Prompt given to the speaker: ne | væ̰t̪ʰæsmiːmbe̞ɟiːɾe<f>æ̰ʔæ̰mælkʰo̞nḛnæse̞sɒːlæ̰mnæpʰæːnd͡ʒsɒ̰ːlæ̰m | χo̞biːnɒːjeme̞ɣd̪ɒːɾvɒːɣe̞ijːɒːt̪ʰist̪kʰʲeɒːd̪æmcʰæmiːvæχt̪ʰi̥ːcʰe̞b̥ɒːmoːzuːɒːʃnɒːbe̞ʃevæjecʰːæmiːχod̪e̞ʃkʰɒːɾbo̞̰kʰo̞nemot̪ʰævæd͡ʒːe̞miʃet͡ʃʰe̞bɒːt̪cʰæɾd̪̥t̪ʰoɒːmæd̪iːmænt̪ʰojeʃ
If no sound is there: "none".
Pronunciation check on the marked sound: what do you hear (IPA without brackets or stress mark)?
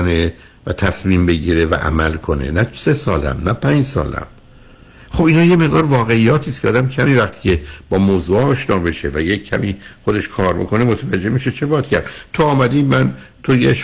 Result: v